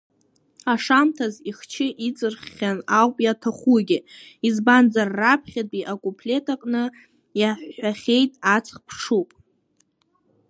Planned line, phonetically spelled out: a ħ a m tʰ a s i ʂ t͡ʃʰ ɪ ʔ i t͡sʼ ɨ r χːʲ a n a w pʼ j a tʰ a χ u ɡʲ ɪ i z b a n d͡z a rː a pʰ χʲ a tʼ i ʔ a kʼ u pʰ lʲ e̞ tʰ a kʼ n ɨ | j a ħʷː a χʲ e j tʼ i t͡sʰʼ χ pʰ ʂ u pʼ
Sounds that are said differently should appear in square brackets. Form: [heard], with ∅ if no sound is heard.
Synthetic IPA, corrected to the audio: a [ʂ] a m tʰ a [z] i [χ] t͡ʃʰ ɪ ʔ i t͡sʼ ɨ r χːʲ a n a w pʼ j a tʰ a χ u ɡʲ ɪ i z b a n d͡z a rː a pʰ χʲ a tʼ i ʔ a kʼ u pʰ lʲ e̞ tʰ a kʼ n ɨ | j a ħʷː a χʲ e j tʼ [a] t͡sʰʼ χ pʰ ʂ u pʼ

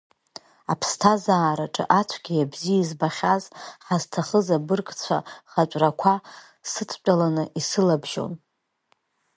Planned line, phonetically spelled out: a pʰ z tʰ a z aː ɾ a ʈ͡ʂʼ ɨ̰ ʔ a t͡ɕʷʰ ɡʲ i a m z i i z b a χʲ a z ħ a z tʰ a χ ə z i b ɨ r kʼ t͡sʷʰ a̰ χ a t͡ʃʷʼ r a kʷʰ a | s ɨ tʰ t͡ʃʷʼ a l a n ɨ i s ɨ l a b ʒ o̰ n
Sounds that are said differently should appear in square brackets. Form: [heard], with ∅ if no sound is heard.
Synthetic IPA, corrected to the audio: a pʰ [s] tʰ a z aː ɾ a ʈ͡ʂʼ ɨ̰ ʔ a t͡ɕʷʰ ɡʲ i a [b] z i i z b a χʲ a z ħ a z tʰ a χ ə z [a] b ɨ r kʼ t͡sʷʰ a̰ χ a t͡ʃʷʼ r a kʷʰ a | s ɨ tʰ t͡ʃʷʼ a l a n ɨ i s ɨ l a b ʒ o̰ n

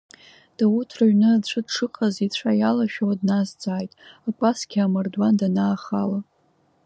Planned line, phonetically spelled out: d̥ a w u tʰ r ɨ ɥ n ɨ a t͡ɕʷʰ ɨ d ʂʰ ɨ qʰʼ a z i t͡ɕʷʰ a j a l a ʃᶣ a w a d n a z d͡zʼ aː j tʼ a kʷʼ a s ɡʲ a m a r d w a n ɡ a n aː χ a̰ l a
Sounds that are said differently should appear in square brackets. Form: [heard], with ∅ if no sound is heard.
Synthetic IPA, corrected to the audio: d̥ a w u tʰ r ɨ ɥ n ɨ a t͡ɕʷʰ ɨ d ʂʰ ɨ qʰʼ a z i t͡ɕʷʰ a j a l a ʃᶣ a w a d n a z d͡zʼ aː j tʼ a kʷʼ a s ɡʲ a m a r d w a n [d] a n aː χ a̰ l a

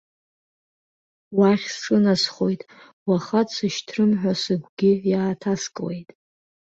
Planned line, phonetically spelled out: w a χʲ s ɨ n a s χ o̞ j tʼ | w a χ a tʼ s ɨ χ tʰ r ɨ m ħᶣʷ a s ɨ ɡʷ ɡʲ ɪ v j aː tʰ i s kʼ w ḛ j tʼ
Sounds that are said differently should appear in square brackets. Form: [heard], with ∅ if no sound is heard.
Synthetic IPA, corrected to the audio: w a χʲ s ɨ n a s χ o̞ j tʼ | w a χ a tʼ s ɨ [ʃ] tʰ r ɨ m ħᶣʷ a s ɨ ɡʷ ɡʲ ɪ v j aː tʰ [a] s kʼ w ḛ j tʼ

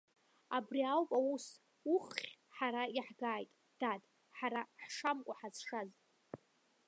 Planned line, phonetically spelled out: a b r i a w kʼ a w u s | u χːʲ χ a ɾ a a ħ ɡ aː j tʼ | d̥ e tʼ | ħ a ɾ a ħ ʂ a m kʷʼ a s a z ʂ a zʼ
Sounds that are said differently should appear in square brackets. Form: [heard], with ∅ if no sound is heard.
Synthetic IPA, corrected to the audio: a b r i a w [pʼ] a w u s | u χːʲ [ħ] a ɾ a [i] ħ ɡ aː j tʼ | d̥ [a] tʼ | ħ a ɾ a ħ ʂ a m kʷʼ a [ħ] a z ʂ a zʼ

